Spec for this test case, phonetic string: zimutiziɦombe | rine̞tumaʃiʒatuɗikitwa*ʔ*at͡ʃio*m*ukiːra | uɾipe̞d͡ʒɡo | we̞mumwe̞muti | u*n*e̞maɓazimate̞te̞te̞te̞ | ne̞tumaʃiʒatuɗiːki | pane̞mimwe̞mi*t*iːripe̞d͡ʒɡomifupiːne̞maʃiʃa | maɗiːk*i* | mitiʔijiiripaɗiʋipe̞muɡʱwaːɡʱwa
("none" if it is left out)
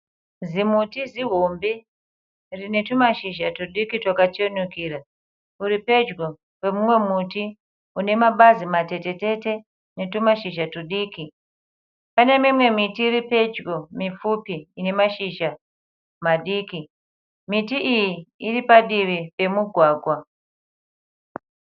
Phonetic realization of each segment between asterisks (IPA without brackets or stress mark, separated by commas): k, n, n, t, i